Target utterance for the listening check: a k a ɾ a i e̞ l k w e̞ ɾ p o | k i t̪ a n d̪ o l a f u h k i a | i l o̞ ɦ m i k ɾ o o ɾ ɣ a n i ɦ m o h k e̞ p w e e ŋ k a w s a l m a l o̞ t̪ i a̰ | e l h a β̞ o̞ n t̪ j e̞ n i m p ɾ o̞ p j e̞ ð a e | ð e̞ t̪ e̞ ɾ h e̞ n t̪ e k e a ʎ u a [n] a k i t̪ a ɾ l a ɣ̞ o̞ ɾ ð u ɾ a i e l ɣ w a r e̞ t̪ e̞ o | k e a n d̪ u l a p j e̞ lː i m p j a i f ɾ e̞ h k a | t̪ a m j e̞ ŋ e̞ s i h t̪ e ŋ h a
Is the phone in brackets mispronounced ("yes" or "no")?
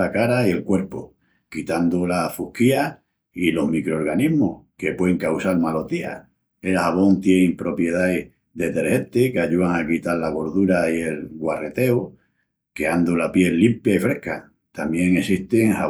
yes